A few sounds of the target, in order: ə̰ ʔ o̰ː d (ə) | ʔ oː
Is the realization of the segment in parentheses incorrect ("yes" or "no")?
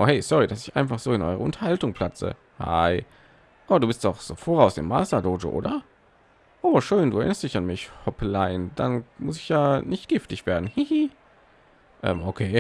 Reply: yes